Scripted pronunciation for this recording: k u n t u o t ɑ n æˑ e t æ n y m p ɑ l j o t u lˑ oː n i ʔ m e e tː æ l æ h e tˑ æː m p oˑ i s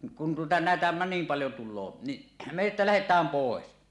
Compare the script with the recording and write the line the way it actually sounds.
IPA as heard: k u n t u o t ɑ n æˑ e t æ n i m p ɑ l j o t u lˑ oː n i ʔ m e e tː æ l æ h e tˑ æː m p oˑ e s